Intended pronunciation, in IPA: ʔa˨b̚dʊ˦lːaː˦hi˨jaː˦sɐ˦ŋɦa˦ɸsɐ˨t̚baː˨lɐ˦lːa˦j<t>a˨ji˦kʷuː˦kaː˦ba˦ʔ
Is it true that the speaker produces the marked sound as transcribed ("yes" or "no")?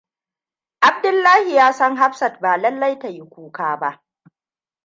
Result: yes